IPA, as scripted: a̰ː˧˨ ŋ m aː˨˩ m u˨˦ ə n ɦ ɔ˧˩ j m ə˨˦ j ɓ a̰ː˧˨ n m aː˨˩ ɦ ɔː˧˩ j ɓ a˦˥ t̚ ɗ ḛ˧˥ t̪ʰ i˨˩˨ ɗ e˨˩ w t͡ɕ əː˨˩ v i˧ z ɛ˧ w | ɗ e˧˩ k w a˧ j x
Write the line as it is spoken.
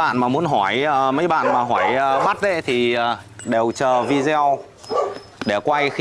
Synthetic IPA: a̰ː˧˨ n m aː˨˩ m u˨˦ ə n ɦ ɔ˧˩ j m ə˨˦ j ɓ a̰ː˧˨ n m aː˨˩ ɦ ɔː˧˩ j ɓ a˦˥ t̚ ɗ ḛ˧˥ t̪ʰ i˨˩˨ ɗ e˨˩ w t͡ɕ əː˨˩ v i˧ z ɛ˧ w | ɗ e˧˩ k w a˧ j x